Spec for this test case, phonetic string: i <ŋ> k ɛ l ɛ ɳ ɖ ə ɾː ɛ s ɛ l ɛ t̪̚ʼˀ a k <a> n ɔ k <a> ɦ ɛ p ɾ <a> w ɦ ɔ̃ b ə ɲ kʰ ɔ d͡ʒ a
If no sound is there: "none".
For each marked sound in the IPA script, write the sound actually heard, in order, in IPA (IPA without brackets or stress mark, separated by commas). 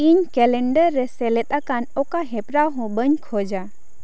ɲ, a, a, a